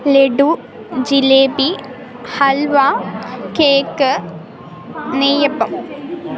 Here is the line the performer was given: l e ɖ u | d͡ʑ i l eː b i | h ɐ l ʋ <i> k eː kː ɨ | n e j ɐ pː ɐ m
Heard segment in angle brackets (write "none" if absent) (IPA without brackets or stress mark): a